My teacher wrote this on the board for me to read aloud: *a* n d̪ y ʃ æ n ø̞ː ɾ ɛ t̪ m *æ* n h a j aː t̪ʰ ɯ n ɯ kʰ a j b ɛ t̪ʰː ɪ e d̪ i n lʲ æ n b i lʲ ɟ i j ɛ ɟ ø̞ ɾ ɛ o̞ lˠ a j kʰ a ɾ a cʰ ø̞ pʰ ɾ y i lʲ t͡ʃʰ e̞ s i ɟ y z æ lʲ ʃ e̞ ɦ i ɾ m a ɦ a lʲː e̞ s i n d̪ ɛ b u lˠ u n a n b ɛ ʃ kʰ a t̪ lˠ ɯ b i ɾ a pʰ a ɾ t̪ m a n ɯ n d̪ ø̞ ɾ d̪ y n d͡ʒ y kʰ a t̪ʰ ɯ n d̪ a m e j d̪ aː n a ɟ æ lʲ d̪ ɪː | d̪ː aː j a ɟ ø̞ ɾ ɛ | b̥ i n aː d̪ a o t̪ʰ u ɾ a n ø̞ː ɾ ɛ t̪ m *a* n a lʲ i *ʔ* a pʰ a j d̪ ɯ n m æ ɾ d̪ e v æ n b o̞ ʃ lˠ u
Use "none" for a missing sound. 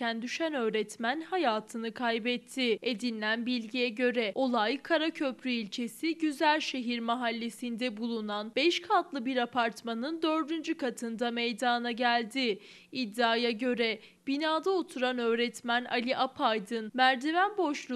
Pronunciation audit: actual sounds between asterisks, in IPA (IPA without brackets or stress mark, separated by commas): æ, æ, æ, ʔ